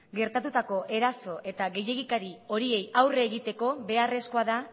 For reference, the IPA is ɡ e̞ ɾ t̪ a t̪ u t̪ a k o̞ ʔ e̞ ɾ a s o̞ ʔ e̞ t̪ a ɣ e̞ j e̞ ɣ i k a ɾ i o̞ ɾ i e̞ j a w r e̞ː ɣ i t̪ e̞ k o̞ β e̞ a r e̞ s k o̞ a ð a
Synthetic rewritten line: ɡ e̞ ɾ t̪ a t̪ u t̪ a k o̞ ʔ e̞ ɾ a s o̞ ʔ e̞ t̪ a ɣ e̞ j e̞ ɣ i k a ɾ i o̞ ɾ i e̞ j a w r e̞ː ɣ i t̪ e̞ k o̞ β e̞ a r e̞ s k o̞ a ð a